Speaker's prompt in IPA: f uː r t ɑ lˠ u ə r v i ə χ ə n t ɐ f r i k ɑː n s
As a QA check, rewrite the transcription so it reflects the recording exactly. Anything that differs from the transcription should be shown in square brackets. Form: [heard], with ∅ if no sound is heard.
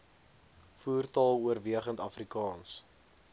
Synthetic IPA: f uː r t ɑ lˠ u ə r v i ə χ ə n t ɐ f r i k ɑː n s